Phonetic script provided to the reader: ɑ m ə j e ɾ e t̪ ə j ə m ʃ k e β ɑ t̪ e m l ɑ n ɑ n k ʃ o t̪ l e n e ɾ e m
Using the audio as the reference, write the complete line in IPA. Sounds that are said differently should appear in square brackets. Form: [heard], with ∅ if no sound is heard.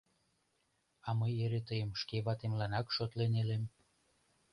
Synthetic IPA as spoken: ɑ m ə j e ɾ e t̪ ə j ə m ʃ k e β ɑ t̪ e m l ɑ n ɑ [∅] k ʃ o t̪ l e n e [l] e m